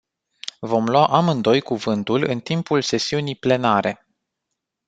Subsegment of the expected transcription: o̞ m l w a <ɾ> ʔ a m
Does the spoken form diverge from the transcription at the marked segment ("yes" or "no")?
yes